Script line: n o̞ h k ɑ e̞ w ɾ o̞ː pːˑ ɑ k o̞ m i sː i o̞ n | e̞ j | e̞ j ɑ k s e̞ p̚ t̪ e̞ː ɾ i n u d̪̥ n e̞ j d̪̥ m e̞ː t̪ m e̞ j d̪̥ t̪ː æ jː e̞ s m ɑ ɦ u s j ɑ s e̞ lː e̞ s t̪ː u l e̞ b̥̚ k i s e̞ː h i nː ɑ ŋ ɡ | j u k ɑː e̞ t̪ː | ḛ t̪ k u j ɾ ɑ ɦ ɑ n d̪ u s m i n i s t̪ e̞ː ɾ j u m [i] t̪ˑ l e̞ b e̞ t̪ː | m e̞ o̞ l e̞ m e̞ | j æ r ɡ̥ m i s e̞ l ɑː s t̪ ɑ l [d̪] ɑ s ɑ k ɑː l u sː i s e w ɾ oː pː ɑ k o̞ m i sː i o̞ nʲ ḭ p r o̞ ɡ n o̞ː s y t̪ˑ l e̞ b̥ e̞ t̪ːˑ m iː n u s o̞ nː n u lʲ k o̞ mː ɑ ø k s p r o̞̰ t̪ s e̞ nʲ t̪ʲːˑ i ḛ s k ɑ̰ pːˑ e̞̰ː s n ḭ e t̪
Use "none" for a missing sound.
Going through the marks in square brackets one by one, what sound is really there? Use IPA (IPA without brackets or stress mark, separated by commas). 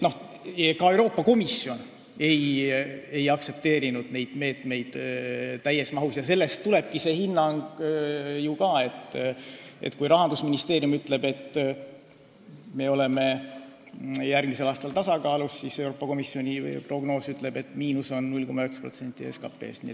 y, t̪